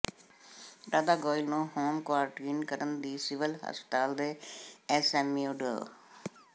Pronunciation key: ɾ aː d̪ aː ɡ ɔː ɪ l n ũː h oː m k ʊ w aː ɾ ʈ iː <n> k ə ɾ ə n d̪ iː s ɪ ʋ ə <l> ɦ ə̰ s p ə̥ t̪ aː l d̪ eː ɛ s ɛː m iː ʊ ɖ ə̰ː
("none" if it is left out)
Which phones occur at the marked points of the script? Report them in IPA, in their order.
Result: n, l

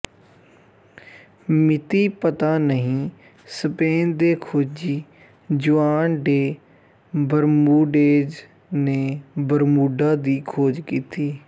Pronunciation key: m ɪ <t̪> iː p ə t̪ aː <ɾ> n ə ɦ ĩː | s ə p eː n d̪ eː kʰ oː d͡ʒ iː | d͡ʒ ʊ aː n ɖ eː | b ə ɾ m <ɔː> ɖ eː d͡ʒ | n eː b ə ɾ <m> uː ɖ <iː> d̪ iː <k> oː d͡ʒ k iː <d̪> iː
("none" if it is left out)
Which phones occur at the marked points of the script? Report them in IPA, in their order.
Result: t̪, none, uː, m, aː, kʰ, t̪

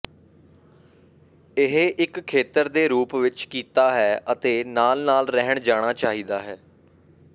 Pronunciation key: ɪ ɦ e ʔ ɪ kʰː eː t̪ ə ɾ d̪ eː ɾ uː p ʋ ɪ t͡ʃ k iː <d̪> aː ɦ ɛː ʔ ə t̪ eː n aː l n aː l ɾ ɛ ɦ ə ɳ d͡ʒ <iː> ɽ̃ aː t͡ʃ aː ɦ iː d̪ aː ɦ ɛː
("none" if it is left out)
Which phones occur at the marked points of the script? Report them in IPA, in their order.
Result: t̪, aː

